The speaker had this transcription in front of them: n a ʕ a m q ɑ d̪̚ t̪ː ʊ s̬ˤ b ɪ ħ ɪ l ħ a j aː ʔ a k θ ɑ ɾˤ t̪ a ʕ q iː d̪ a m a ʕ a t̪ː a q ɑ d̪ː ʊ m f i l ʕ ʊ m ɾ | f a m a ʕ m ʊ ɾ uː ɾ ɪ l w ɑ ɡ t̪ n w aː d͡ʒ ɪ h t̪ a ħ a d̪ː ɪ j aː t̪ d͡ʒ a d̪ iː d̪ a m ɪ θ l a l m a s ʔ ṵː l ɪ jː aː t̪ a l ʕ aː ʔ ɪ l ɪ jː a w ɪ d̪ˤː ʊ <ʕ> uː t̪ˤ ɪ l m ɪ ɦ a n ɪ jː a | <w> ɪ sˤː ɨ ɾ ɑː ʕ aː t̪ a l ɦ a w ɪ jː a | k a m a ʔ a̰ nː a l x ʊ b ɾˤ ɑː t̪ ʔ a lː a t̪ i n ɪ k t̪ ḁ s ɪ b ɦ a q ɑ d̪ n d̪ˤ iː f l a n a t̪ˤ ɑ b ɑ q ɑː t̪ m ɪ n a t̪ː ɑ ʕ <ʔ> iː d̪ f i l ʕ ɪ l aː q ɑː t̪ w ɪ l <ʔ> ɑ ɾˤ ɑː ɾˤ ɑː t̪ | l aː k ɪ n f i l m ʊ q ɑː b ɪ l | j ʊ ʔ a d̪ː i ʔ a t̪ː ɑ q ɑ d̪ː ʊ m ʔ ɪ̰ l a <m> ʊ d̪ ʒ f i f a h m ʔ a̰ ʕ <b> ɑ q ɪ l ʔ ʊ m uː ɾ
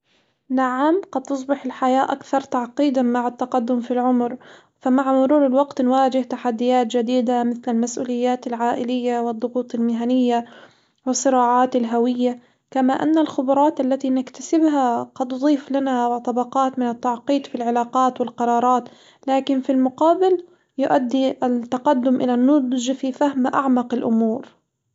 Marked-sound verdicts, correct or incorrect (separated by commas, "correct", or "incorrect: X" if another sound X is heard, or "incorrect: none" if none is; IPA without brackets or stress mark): incorrect: ɣ, correct, incorrect: q, incorrect: q, incorrect: n, incorrect: m